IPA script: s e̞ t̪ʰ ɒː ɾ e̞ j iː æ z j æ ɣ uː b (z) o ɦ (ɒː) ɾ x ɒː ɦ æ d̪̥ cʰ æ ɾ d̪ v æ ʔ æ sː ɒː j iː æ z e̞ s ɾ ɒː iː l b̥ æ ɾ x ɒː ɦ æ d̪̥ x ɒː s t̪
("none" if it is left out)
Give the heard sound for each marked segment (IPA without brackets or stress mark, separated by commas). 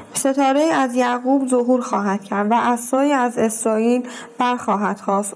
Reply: z, uː